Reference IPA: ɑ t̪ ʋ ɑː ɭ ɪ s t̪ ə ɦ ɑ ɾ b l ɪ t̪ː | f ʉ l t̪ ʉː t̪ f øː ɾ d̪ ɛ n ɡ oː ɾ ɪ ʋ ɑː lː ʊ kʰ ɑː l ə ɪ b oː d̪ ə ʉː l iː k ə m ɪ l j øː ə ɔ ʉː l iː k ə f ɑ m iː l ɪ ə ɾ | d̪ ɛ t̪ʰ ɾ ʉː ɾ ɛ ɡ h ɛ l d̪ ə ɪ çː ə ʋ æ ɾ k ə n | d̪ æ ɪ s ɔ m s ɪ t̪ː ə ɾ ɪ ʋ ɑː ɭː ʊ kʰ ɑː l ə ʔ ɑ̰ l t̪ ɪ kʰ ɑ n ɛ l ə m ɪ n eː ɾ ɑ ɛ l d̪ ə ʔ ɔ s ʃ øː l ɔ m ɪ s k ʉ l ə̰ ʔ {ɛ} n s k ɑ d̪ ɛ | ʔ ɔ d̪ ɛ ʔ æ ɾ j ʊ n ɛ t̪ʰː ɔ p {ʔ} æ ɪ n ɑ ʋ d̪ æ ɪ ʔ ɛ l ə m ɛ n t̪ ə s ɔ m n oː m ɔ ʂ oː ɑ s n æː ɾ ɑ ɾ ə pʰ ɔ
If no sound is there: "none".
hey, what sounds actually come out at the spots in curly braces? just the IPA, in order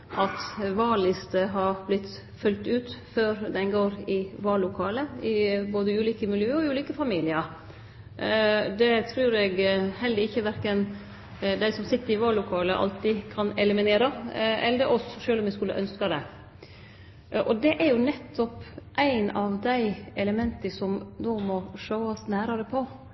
œ, ʔ

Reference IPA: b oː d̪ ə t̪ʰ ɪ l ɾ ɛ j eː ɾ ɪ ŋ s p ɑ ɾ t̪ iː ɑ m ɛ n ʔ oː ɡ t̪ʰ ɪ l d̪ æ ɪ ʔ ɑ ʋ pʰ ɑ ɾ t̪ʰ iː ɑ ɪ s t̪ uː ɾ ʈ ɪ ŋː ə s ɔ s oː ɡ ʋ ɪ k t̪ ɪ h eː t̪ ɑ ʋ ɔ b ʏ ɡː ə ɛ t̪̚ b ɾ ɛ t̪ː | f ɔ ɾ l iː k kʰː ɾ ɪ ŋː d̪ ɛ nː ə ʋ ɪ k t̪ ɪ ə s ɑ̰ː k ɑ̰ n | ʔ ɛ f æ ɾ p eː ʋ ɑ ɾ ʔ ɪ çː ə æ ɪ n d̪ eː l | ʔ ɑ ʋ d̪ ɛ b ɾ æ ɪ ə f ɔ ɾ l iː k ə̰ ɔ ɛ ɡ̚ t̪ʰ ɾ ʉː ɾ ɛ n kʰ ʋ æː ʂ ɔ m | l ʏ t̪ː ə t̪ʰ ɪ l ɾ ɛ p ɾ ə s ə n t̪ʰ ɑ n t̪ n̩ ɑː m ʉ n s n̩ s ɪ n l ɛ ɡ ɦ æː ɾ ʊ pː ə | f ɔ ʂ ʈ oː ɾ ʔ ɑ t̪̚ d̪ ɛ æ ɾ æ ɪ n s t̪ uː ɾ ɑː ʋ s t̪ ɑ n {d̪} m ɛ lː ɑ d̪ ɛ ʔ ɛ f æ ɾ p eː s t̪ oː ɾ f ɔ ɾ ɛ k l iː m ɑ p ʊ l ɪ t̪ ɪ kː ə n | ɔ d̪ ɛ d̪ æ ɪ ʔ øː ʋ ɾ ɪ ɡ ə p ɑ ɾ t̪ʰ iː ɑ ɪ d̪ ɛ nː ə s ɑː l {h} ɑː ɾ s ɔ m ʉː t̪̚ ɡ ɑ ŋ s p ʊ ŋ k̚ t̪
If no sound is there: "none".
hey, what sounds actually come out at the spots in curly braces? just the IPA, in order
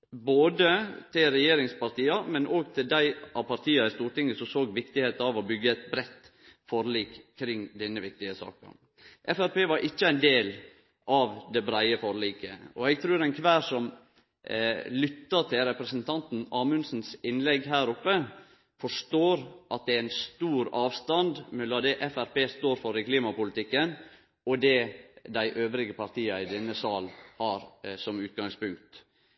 d̪, h

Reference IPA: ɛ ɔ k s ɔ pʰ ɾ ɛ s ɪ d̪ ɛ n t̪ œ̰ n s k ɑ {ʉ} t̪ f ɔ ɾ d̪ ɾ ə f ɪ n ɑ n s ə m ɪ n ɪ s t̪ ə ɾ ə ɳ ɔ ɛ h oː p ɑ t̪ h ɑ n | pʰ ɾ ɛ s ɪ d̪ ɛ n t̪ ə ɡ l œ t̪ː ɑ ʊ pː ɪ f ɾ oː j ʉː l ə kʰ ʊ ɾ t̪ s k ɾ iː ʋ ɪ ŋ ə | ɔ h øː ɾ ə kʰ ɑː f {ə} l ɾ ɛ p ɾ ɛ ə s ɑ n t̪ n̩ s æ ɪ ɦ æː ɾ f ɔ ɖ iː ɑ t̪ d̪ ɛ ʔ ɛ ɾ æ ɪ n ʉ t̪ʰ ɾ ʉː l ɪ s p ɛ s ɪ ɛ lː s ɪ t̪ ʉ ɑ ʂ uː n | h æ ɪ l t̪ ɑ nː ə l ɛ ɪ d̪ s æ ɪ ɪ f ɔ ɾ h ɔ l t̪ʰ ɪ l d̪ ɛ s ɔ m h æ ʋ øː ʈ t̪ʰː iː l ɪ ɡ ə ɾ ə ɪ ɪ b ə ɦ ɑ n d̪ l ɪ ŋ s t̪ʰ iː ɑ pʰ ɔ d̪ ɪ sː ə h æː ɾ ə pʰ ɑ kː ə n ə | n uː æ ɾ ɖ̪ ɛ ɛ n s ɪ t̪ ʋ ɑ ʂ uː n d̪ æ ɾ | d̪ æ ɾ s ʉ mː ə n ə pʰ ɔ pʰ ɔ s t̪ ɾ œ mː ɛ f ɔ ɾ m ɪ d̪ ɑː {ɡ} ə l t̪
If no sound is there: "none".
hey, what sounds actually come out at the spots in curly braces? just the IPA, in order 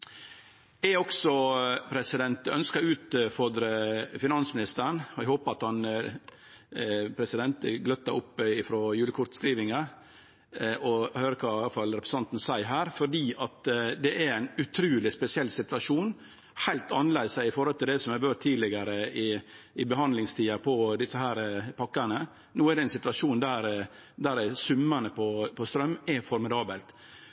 ʉː, ɑ, b

